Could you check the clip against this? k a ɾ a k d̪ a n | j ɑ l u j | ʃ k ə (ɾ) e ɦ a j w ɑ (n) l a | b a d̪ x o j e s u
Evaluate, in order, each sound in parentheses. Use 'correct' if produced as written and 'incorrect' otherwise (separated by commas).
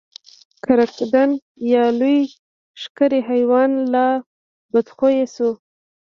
correct, correct